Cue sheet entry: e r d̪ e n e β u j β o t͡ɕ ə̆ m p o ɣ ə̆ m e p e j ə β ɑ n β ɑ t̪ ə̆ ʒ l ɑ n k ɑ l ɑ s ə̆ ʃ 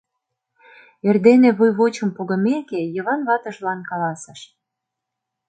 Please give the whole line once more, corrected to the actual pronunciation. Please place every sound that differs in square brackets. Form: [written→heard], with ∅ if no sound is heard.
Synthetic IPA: e r d̪ e n e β u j β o t͡ɕ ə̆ m p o ɣ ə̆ m e [p→k] e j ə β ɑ n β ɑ t̪ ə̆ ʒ l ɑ n k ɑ l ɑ s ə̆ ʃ